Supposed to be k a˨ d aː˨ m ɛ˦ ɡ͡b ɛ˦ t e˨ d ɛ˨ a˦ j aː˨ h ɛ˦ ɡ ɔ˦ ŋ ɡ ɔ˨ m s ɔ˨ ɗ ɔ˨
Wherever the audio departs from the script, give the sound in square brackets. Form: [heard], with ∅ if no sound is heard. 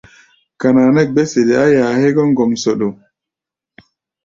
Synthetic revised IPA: k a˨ [n] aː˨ [n] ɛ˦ ɡ͡b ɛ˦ [s] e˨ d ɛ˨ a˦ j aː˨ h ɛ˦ ɡ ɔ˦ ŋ ɡ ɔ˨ m s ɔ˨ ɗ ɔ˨